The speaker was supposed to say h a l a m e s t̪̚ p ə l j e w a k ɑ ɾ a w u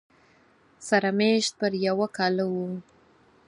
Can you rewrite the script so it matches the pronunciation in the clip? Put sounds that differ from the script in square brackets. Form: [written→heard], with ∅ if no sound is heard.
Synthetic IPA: [h→s] a [l→ɾ] a m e [s→ʃ] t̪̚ p ə [l→ɾ] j [e→a] w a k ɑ [ɾ→l] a w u